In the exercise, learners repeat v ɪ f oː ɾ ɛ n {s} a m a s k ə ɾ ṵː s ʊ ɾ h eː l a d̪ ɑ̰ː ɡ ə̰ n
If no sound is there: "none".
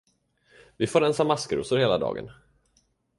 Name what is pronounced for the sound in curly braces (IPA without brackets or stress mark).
s